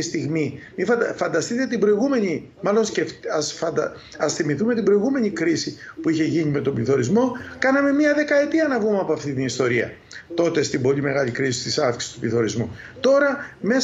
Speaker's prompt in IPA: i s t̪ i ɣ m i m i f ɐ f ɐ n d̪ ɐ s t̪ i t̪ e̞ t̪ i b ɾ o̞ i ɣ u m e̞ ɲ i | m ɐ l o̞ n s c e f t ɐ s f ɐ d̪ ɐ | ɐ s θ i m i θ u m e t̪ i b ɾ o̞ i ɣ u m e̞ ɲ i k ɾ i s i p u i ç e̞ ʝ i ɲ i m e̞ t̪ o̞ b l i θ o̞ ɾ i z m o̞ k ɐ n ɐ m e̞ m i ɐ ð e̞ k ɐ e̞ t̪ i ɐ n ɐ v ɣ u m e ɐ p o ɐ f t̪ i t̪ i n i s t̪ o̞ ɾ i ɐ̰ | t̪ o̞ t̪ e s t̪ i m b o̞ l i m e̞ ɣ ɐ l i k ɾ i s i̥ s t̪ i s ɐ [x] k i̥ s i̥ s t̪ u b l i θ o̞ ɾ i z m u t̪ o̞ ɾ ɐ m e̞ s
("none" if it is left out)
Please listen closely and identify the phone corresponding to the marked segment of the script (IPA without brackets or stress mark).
f